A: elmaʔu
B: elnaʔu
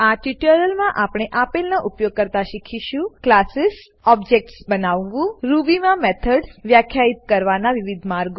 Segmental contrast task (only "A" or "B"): B